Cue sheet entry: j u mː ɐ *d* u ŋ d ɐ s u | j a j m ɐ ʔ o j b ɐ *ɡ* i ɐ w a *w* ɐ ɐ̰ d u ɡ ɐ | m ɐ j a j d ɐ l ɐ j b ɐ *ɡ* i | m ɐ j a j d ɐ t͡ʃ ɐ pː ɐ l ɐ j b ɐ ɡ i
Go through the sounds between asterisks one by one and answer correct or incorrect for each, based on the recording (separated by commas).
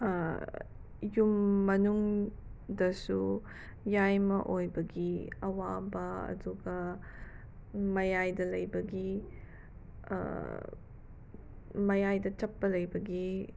incorrect, correct, incorrect, correct